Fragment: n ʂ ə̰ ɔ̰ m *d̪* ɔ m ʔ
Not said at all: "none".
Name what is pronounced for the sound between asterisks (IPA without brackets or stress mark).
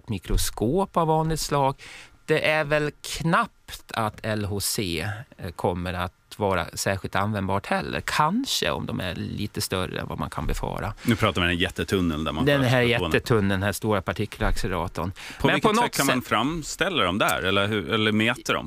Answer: d̪